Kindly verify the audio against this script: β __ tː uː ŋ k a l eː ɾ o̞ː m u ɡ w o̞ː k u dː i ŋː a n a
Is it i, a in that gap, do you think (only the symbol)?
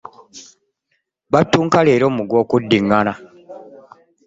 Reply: a